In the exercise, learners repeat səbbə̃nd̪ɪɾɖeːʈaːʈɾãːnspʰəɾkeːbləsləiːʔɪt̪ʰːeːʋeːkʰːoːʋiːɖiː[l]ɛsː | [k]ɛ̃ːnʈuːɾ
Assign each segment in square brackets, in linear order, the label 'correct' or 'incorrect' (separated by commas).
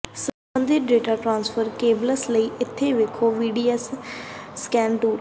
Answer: incorrect, correct